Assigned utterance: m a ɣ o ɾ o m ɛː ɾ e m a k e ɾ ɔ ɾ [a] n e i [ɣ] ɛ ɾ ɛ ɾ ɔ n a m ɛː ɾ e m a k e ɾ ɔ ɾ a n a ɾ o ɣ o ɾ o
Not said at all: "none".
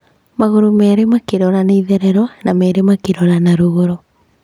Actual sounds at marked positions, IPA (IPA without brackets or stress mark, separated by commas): a, ð